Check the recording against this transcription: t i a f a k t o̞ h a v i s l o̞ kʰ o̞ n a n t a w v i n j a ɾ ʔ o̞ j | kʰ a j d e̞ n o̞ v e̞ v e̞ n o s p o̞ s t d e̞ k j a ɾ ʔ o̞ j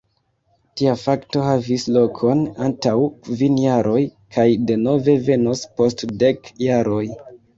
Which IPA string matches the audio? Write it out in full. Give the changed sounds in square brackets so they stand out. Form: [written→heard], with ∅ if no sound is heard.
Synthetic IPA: t i a f a k t o̞ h a v i s l o̞ kʰ o̞ n a n t a w v i n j a ɾ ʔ o̞ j | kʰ a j d e̞ n o̞ v e̞ v e̞ n o s p o̞ s t d e̞ k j a ɾ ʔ o̞ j